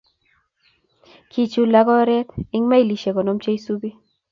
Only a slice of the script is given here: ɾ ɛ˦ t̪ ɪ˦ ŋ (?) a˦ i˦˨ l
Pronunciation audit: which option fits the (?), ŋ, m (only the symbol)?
m